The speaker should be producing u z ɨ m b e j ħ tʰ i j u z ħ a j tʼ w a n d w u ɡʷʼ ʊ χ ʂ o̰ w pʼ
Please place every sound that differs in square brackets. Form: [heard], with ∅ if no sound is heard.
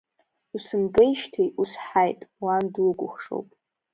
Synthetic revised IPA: u [s] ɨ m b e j [ʃ] tʰ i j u [s] ħ a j tʼ w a n d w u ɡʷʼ ʊ χ ʂ o̰ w pʼ